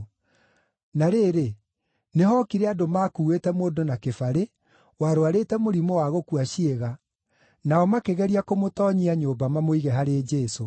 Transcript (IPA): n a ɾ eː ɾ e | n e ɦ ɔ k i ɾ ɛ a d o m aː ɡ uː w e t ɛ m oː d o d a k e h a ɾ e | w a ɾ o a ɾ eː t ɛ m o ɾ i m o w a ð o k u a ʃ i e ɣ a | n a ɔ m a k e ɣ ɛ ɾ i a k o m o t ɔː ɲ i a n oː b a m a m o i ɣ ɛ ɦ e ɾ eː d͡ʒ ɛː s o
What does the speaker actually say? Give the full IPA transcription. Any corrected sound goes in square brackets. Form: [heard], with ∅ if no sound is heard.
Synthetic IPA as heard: n a ɾ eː ɾ e | n e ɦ ɔ k i ɾ ɛ a d o m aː [k] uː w e t ɛ m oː d o [n] a k e [f] a ɾ e | w a ɾ o a ɾ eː t ɛ m o ɾ i m o w a [ɣ] o k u a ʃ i e ɣ a | n a ɔ m a k e ɣ ɛ ɾ i a k o m o t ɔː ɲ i a [ɲ] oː b a m a m o i ɣ ɛ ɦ [a] ɾ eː d͡ʒ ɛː s o